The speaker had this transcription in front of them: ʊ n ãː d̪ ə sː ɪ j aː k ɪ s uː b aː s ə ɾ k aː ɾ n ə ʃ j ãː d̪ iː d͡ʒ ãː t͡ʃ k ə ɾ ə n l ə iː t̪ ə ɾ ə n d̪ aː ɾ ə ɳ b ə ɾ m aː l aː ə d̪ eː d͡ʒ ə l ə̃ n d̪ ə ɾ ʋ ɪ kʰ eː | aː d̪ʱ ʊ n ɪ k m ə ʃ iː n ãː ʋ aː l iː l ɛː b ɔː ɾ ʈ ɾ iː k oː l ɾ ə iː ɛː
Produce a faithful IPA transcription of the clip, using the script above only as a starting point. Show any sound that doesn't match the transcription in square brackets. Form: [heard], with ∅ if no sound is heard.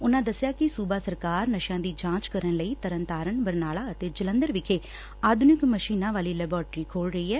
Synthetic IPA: ʊ n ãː d̪ ə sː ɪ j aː k ɪ s uː b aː s ə ɾ k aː ɾ n ə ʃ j ãː d̪ iː d͡ʒ ãː t͡ʃ k ə ɾ ə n l ə iː t̪ ə ɾ ə n [t̪] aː ɾ ə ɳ b ə ɾ [n] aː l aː ə [t̪] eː d͡ʒ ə l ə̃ n d̪ ə ɾ ʋ ɪ kʰ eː | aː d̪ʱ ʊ n ɪ k m ə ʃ iː n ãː ʋ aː l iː l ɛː b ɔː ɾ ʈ ɾ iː [kʰ] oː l ɾ ə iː ɛː